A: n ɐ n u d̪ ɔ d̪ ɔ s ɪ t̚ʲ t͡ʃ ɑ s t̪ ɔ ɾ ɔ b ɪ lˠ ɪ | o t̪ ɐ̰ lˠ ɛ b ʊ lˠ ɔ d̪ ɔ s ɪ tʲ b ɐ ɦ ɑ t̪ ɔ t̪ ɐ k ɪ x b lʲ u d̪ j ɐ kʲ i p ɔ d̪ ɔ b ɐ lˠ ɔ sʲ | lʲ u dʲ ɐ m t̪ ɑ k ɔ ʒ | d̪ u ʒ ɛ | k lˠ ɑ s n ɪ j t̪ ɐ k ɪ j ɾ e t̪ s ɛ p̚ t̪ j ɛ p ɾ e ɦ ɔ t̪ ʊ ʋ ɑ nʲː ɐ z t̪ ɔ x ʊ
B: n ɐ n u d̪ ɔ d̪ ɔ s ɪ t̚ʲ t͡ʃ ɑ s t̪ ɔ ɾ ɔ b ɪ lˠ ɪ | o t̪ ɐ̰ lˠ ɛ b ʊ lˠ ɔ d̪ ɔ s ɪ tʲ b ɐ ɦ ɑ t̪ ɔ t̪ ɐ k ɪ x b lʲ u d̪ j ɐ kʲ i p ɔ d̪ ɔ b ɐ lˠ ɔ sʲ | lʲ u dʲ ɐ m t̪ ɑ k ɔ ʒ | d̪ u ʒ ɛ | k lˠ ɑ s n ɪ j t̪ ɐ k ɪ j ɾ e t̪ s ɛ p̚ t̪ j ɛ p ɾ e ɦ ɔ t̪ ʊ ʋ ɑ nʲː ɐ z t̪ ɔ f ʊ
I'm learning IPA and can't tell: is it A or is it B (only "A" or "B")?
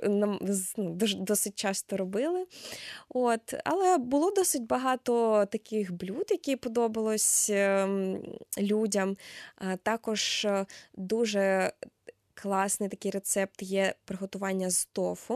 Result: B